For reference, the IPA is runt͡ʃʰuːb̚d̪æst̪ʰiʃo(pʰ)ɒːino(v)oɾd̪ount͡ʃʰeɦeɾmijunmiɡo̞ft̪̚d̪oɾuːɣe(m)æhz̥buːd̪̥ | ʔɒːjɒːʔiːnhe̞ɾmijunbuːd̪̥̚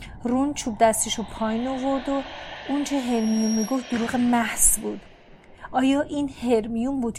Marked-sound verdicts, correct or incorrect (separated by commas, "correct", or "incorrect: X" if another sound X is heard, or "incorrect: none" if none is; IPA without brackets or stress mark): correct, correct, correct